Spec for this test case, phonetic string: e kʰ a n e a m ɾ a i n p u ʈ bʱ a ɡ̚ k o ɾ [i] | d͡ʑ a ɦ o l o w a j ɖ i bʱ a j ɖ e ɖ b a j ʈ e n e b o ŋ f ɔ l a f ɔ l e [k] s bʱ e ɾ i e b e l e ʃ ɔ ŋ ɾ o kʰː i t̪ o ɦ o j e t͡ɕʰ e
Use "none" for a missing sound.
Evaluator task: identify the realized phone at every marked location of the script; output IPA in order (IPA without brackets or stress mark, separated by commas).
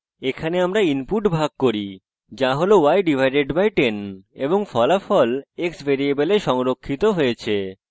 i, k